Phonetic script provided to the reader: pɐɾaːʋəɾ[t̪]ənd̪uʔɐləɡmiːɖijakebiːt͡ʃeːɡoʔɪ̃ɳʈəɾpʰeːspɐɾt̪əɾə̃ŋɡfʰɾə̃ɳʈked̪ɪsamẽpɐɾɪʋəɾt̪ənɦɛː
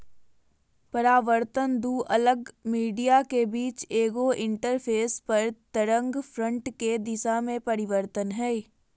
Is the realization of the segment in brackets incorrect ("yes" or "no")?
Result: no